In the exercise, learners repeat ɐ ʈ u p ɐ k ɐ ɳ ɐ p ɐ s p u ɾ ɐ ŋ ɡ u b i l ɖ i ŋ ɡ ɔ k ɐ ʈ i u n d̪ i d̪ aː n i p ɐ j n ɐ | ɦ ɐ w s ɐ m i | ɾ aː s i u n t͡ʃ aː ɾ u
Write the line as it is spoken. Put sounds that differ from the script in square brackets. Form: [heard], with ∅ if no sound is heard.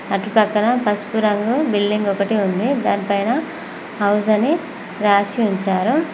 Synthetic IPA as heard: ɐ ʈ u p ɐ k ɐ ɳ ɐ p ɐ s p u ɾ ɐ ŋ ɡ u b i l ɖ i ŋ ɡ ɔ k ɐ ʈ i u n d̪ i d̪ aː n i p ɐ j n ɐ | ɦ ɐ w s ɐ [n] i | ɾ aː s i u [ɲ] t͡ʃ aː ɾ u